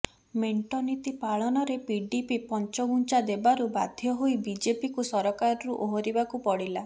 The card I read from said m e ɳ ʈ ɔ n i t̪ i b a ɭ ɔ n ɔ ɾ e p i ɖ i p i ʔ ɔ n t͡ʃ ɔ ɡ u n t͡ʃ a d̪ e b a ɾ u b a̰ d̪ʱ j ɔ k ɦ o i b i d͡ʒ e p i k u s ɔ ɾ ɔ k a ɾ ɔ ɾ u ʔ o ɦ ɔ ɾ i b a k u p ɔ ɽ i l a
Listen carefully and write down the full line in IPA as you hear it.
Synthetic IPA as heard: m e ɳ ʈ ɔ n i t̪ i p a ɭ ɔ n ɔ ɾ e p i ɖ i p i p ɔ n t͡ʃ ɔ ɡ u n t͡ʃ a d̪ e b a ɾ u b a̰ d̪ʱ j ɔ ɦ o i b i d͡ʒ e p i k u s ɔ ɾ ɔ k a ɾ ɔ ɾ u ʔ o ɦ ɔ ɾ i b a k u p ɔ ɽ i l a

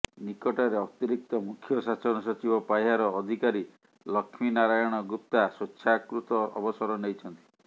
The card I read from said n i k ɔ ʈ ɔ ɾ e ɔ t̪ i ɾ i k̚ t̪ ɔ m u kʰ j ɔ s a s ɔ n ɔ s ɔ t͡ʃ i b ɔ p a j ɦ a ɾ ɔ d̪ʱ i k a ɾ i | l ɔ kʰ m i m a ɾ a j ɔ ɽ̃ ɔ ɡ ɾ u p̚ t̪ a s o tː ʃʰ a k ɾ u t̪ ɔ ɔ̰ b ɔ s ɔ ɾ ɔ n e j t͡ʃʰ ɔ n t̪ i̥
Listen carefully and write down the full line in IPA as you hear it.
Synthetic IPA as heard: n i k ɔ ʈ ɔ ɾ e ɔ t̪ i ɾ i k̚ t̪ ɔ m u kʰ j ɔ s a s ɔ n ɔ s ɔ t͡ʃ i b ɔ p a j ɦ a ɾ ɔː d̪ʱ i k a ɾ i | l ɔ kʰ m i n a ɾ a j ɔ ɽ̃ ɔ ɡ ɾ u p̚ t̪ a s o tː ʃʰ a k ɾ u t̪ ɔ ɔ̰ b ɔ s ɔ ɾ ɔ n e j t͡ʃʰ ɔ n t̪ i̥

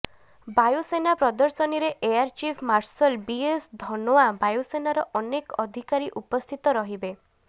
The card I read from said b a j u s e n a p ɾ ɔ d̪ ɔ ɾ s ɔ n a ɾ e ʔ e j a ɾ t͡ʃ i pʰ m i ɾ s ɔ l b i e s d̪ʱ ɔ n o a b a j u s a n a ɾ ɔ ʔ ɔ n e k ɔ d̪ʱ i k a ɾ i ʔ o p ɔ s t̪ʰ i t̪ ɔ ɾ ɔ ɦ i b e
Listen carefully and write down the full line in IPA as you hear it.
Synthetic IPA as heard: b a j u s e n a p ɾ ɔ d̪ ɔ ɾ s ɔ n i ɾ e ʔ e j a ɾ t͡ʃ i pʰ m a ɾ s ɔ l b i e s d̪ʱ ɔ n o a b a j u s e n a ɾ ɔ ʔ ɔ n e k ɔ d̪ʱ i k a ɾ i ʔ u p ɔ s t̪ʰ i t̪ ɔ ɾ ɔ ɦ i b e

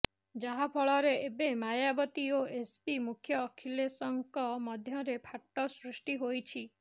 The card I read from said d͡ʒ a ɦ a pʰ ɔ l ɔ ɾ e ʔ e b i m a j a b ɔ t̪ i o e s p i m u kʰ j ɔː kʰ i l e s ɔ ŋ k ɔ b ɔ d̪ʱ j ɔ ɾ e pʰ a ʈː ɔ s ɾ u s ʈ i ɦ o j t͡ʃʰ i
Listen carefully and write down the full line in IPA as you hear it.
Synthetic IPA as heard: d͡ʒ a ɦ a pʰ ɔ ɭ ɔ ɾ e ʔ e b e m a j a b ɔ t̪ i o e s p i m u kʰ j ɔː kʰ i l e s ɔ ŋ k ɔ m ɔ d̪ʱ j ɔ ɾ e pʰ a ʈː ɔ s ɾ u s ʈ i ɦ o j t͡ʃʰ i

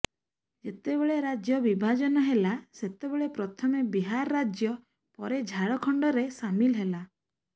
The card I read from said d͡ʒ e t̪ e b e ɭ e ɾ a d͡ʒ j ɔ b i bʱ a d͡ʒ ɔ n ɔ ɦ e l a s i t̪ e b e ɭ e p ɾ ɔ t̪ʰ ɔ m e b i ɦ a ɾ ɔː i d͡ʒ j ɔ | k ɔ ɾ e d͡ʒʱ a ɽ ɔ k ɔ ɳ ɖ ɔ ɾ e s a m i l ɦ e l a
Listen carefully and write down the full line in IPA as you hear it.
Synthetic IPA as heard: d͡ʒ e t̪ e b e ɭ e ɾ a d͡ʒ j ɔ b i bʱ a d͡ʒ ɔ n ɔ ɦ e l a s e t̪ e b e ɭ e p ɾ ɔ t̪ʰ ɔ m e b i ɦ a ɾ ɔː a d͡ʒ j ɔ | p ɔ ɾ e d͡ʒʱ a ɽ ɔ kʰ ɔ ɳ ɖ ɔ ɾ e s a m i l ɦ e l a

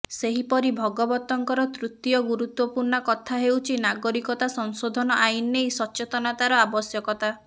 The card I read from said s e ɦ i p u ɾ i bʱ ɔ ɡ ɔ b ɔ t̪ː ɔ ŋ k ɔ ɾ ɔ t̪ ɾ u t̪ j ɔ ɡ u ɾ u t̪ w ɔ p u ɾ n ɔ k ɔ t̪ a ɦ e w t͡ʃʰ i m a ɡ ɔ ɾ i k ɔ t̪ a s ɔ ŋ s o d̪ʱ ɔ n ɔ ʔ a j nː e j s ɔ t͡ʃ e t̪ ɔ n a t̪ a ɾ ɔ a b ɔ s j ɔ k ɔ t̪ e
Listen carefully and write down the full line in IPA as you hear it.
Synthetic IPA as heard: s e ɦ i p ɔ ɾ i bʱ ɔ ɡ ɔ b ɔ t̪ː ɔ ŋ k ɔ ɾ ɔ t̪ ɾ u t̪ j ɔ ɡ u ɾ u t̪ w ɔ p u ɾ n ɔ k ɔ t̪ʰ a ɦ e w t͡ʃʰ i n a ɡ ɔ ɾ i k ɔ t̪ a s ɔ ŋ s o d̪ʱ ɔ n ɔ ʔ a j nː e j s ɔ t͡ʃ e t̪ ɔ n a t̪ a ɾ ɔ a b ɔ s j ɔ k ɔ t̪ a

